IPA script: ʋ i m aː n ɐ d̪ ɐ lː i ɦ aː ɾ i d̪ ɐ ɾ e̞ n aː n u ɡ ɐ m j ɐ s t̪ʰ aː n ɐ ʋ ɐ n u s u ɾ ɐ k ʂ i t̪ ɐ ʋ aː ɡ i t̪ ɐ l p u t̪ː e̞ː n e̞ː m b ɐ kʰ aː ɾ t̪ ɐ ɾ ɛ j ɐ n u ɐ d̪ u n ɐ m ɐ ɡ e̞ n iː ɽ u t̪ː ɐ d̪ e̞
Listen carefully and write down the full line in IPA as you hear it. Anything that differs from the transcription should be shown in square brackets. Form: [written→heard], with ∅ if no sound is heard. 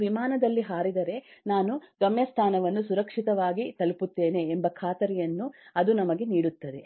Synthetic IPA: ʋ i m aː n ɐ d̪ ɐ lː i ɦ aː ɾ i d̪ ɐ ɾ e̞ n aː n u ɡ ɐ m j ɐ s t̪ʰ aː n ɐ ʋ ɐ [n→nː] u s u ɾ ɐ k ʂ i t̪ ɐ ʋ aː ɡ i t̪ ɐ l p u t̪ː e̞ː n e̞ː m b ɐ kʰ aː [ɾ→∅] t̪ ɐ ɾ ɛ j ɐ [n→nː] u ɐ d̪ u n ɐ m ɐ ɡ e̞ n iː ɽ u t̪ː ɐ d̪ e̞

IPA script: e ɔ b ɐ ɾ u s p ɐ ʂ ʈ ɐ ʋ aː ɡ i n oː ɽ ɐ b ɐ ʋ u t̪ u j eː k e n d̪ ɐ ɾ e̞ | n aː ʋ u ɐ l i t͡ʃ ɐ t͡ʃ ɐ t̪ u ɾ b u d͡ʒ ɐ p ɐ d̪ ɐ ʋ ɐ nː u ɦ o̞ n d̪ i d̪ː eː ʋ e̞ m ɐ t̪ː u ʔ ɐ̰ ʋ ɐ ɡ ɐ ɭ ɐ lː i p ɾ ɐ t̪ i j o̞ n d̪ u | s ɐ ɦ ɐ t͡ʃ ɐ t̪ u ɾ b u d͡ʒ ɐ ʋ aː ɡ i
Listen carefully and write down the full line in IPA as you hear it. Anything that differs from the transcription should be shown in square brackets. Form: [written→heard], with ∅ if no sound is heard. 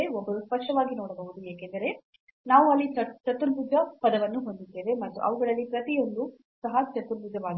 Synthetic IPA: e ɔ [b→bː] ɐ ɾ u s p ɐ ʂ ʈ ɐ ʋ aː ɡ i n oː ɽ ɐ b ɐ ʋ u [t̪→d̪] u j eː k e n d̪ ɐ ɾ e̞ | n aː ʋ u ɐ [l→lː] i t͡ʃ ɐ t͡ʃ ɐ t̪ u ɾ b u d͡ʒ ɐ p ɐ d̪ ɐ ʋ ɐ nː u ɦ o̞ n d̪ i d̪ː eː ʋ e̞ m ɐ t̪ː u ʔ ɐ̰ ʋ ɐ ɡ ɐ ɭ ɐ lː i p ɾ ɐ t̪ i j o̞ n d̪ u | s ɐ ɦ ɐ t͡ʃ ɐ t̪ u ɾ b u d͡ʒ ɐ ʋ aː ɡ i

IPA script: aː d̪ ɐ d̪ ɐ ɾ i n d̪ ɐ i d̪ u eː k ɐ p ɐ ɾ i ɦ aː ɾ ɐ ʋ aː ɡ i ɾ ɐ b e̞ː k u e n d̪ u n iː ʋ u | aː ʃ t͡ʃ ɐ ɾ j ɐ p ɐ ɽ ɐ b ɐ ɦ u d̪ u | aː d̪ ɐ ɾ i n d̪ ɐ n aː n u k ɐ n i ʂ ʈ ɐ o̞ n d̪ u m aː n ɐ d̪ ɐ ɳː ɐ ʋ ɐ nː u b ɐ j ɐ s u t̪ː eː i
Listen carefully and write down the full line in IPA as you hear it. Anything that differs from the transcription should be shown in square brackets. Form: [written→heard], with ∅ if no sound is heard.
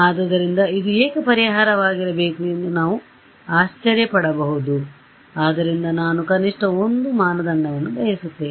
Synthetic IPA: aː d̪ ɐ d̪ ɐ ɾ i n d̪ ɐ i d̪ u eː k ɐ p ɐ ɾ i ɦ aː ɾ ɐ ʋ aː ɡ i ɾ ɐ b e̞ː k u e n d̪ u n [iː→aː] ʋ u | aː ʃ t͡ʃ ɐ ɾ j ɐ p ɐ ɽ ɐ b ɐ ɦ u d̪ u | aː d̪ ɐ ɾ i n d̪ ɐ n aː n u k ɐ n i ʂ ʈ ɐ o̞ n d̪ u m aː n ɐ d̪ ɐ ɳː ɐ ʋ ɐ nː u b ɐ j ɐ s u t̪ː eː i

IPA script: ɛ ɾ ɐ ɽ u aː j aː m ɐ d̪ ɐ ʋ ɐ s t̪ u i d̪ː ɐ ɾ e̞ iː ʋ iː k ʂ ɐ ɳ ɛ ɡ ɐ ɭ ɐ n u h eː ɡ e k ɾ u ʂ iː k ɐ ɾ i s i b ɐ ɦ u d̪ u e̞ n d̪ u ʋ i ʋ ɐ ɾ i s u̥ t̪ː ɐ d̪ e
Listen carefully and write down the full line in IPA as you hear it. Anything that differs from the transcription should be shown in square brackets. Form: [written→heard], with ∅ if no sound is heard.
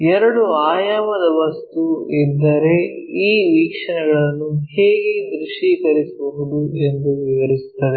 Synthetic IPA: ɛ ɾ ɐ ɽ u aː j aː m ɐ d̪ ɐ ʋ ɐ s t̪ u i d̪ː ɐ ɾ e̞ iː ʋ iː k ʂ ɐ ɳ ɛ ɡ ɐ ɭ ɐ [n→nː] u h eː ɡ e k ɾ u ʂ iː k ɐ ɾ i s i b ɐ ɦ u d̪ u e̞ n d̪ u ʋ i ʋ ɐ ɾ i s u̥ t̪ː ɐ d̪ e

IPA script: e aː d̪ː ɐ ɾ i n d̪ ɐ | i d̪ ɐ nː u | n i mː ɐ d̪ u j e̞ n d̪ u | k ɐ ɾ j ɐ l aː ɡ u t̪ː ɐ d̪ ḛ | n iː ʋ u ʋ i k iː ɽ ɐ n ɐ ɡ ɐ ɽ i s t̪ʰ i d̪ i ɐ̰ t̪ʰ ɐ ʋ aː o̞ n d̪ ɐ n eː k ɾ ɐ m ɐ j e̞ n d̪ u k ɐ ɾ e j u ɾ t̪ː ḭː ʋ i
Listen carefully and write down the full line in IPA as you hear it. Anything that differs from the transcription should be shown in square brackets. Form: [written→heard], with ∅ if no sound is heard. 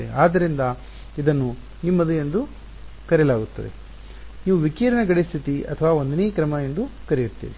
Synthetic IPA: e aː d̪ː ɐ ɾ i n d̪ ɐ | i d̪ ɐ nː u | n i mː ɐ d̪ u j e̞ n d̪ u | k ɐ ɾ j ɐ l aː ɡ u t̪ː ɐ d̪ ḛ | n iː ʋ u ʋ i k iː [ɽ→ɾ] ɐ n ɐ ɡ ɐ ɽ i s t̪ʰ i [d̪→t̪] i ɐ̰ t̪ʰ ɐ ʋ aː o̞ n d̪ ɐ n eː k ɾ ɐ m ɐ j e̞ n d̪ u k ɐ ɾ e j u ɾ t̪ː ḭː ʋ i

